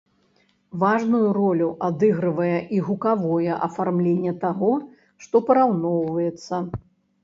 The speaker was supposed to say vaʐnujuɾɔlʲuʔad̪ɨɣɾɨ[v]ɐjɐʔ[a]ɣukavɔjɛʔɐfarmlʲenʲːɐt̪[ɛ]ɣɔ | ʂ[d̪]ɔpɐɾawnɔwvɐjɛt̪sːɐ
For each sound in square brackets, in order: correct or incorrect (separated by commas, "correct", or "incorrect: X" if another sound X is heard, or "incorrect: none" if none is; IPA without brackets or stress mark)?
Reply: correct, incorrect: i, incorrect: a, incorrect: t̪